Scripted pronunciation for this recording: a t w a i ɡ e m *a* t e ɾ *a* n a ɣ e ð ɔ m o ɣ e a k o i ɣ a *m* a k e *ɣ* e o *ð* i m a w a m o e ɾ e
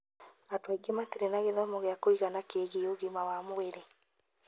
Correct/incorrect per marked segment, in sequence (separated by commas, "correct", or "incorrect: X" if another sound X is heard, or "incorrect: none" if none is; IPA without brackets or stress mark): correct, incorrect: e, incorrect: n, correct, incorrect: ɣ